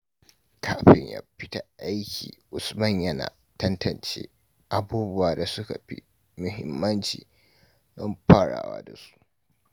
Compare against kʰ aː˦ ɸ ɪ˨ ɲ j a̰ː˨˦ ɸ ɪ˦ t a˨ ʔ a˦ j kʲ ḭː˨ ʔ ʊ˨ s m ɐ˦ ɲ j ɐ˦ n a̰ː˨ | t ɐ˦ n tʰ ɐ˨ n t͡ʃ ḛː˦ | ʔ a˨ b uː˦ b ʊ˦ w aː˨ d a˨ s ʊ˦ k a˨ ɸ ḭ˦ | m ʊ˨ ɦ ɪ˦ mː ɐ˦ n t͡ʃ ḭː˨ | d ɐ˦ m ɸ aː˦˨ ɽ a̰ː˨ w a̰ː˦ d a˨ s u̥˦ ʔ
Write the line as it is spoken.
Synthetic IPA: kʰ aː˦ ɸ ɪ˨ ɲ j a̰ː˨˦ ɸ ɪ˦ t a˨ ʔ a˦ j kʲ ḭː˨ ʔ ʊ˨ s m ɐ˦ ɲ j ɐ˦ n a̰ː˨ | t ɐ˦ n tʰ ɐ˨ n t͡ʃ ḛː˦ | ʔ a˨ b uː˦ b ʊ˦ w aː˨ d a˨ s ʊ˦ k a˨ ɸ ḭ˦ | m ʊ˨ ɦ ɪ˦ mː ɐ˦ n t͡ʃ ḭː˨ | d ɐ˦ m ɸ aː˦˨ ɽ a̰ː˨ w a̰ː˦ d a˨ s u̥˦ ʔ

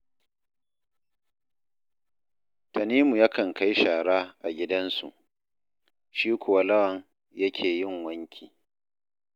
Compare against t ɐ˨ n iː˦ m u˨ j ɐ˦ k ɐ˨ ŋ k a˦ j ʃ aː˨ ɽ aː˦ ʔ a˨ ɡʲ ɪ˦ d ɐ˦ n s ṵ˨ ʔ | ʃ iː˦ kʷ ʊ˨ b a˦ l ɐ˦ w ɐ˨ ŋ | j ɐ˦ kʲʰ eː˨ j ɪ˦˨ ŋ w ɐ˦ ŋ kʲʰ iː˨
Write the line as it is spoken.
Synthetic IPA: t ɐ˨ n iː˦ m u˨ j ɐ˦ k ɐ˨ ŋ k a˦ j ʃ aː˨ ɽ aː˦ ʔ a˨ ɡʲ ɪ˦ d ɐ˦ n s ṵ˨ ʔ | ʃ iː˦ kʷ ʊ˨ w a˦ l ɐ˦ w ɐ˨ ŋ | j ɐ˦ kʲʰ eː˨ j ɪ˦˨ ŋ w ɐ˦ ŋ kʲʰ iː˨

